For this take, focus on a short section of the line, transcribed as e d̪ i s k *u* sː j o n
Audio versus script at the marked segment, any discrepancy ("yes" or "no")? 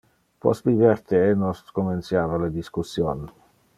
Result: no